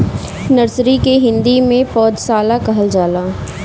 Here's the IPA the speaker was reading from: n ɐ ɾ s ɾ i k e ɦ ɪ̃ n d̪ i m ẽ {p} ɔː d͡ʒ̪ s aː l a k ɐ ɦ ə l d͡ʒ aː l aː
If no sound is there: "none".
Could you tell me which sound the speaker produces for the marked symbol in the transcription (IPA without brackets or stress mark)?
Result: p